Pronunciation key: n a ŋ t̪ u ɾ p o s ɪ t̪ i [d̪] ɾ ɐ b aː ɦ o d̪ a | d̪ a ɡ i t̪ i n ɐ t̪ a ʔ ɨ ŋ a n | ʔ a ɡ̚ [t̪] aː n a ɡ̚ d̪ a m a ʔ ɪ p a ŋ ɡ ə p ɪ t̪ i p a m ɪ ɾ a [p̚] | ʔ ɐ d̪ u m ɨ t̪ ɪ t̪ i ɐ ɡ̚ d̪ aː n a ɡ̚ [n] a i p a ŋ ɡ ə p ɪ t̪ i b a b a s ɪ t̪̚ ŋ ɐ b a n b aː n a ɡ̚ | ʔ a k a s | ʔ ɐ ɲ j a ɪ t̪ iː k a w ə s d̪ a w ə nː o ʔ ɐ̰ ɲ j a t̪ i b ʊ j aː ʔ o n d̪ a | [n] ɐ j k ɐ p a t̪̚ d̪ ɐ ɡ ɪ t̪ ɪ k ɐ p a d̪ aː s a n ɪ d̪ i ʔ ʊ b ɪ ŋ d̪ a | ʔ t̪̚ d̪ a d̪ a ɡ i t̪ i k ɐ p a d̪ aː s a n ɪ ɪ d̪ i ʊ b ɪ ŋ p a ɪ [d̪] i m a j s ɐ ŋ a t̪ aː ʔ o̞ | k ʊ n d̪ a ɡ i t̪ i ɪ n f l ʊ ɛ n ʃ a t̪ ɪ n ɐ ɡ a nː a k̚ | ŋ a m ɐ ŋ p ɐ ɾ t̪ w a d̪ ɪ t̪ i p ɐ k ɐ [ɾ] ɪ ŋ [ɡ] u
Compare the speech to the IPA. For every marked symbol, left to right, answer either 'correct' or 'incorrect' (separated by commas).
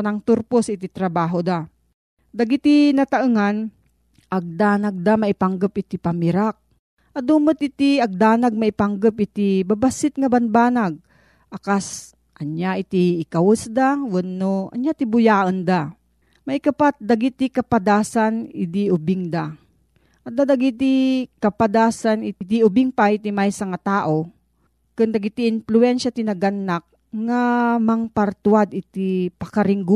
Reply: incorrect, incorrect, incorrect, incorrect, incorrect, incorrect, correct, correct